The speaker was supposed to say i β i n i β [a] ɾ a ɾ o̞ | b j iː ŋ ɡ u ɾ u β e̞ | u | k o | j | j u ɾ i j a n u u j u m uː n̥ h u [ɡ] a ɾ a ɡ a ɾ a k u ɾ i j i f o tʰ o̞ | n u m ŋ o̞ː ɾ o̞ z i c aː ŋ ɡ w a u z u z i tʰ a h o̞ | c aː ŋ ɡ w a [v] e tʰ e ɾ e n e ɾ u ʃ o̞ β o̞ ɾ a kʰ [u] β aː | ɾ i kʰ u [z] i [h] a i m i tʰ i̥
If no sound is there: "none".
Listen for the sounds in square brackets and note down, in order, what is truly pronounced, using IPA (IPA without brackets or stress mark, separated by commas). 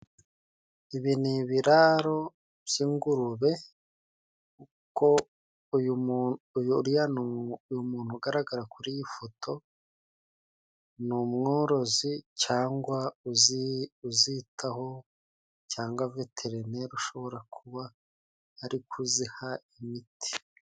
i, ɡ, v, u, z, h